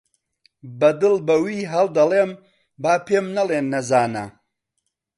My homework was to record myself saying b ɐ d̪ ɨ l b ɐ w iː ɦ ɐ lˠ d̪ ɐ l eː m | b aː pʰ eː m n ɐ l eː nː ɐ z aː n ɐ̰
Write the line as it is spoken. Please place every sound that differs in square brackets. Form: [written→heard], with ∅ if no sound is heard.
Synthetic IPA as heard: b ɐ d̪ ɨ l b ɐ w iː ɦ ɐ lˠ d̪ ɐ l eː m | b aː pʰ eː m n ɐ l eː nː ɐ z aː n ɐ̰